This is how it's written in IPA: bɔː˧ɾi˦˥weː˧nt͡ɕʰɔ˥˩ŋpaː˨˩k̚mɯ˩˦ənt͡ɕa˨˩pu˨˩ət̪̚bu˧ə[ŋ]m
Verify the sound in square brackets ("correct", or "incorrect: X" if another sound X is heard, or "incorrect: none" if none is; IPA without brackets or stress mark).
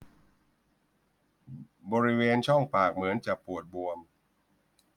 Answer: incorrect: none